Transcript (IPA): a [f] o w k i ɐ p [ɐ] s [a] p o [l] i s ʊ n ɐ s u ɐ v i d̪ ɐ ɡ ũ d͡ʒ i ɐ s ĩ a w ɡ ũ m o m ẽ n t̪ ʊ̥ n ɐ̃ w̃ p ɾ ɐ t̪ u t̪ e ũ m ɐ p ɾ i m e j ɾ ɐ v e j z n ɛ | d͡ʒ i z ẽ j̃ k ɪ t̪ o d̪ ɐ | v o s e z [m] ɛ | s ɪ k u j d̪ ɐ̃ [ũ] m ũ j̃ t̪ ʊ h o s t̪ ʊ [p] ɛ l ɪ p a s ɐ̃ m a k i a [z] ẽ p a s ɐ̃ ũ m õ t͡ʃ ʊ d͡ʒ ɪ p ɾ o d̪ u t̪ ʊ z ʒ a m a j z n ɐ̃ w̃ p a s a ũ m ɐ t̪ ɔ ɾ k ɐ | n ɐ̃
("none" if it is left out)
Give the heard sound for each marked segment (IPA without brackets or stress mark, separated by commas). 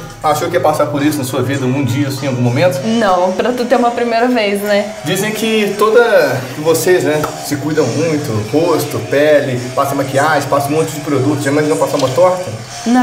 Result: ʃ, a, a, ɾ, n, w̃, p, ʒ